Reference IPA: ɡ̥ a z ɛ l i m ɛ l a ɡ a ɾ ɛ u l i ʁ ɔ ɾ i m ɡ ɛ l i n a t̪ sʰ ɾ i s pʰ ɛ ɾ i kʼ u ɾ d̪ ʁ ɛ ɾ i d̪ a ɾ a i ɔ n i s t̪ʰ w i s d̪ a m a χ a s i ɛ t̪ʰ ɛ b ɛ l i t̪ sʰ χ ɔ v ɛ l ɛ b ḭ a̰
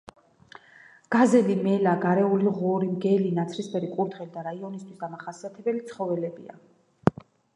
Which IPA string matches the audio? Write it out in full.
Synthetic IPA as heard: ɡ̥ a z ɛ l i m ɛ l a ɡ a ɾ ɛ u l i ʁ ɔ ɾ i m ɡ ɛ l i n a t̪ sʰ ɾ i s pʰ ɛ ɾ i kʼ u ɾ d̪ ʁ ɛ l i d̪ a ɾ a i ɔ n i s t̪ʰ w i s d̪ a m a χ a s i a t̪ʰ ɛ b ɛ l i t̪ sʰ χ ɔ v ɛ l ɛ b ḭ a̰

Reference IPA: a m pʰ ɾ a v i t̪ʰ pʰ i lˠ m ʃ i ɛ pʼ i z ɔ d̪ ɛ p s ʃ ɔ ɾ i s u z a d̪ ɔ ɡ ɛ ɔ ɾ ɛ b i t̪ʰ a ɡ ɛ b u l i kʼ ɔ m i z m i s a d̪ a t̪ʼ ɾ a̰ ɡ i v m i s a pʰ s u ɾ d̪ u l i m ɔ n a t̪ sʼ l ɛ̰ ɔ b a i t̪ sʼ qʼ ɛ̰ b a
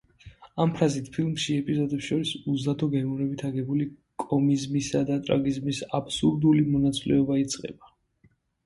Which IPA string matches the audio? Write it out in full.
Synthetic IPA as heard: a m pʰ ɾ a z i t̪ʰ pʰ i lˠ m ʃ i ɛ pʼ i z ɔ d̪ ɛ p s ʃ ɔ ɾ i s u z a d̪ ɔ ɡ ɛ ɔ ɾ ɛ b i t̪ʰ a ɡ ɛ b u l i kʼ ɔ m i z m i s a d̪ a t̪ʼ ɾ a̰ ɡ i z m i s a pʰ s u ɾ d̪ u l i m ɔ n a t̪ sʼ l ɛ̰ ɔ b a i t̪ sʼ qʼ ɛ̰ b a

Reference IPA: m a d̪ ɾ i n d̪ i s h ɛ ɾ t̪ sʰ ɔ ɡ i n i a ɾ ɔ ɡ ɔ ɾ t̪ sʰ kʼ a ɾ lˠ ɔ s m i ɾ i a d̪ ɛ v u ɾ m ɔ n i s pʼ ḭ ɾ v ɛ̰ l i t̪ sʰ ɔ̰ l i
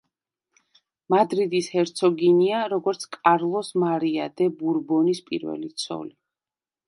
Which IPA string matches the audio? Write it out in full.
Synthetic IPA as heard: m a d̪ ɾ i d̪ i s h ɛ ɾ t̪ sʰ ɔ ɡ i n i a ɾ ɔ ɡ ɔ ɾ t̪ sʰ kʼ a ɾ lˠ ɔ s m a ɾ i a d̪ ɛ b u ɾ b ɔ n i s pʼ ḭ ɾ v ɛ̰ l i t̪ sʰ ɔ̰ l i

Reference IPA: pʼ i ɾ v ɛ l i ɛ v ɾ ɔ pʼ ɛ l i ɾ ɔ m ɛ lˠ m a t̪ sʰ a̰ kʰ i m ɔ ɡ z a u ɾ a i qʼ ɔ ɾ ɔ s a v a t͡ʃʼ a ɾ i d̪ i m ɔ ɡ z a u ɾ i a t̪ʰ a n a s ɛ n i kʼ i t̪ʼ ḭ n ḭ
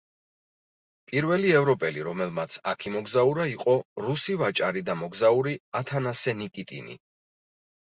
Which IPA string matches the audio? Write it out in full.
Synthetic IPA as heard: pʼ i ɾ v ɛ l i ɛ v ɾ ɔ pʼ ɛ l i ɾ ɔ m ɛ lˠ m a t̪ sʰ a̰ kʰ i m ɔ ɡ z a u ɾ a i qʼ ɔ ɾ u s i v a t͡ʃʼ a ɾ i d̪ a m ɔ ɡ z a u ɾ i a t̪ʰ a n a s ɛ n i kʼ i t̪ʼ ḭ n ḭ

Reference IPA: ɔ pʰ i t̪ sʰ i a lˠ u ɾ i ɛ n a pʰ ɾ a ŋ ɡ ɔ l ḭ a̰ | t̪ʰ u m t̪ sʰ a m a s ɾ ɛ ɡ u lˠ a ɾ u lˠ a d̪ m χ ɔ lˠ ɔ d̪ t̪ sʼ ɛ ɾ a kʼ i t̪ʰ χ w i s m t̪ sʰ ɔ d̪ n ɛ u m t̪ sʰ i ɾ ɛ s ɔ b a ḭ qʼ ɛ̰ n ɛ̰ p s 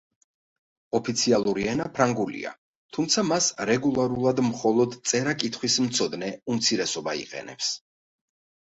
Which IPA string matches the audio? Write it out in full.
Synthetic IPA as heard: ɔ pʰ i t̪ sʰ i a lˠ u ɾ i ɛ n a pʰ ɾ a ŋ ɡ u l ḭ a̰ | t̪ʰ u m t̪ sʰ a m a s ɾ ɛ ɡ u lˠ a ɾ u lˠ a d̪ m χ ɔ lˠ ɔ d̪ t̪ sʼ ɛ ɾ a kʼ i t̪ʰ χ w i s m t̪ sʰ ɔ d̪ n ɛ u m t̪ sʰ i ɾ ɛ s ɔ b a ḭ qʼ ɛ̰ n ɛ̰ p s

